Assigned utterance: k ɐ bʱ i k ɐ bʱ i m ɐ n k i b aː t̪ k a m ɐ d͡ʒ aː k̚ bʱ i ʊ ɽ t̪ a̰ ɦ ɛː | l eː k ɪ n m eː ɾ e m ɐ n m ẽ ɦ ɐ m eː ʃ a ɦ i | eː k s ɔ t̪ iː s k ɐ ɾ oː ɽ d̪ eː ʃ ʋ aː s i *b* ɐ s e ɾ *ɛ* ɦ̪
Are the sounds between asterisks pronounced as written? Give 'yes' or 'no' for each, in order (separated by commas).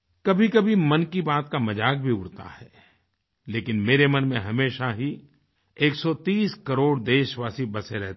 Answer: yes, yes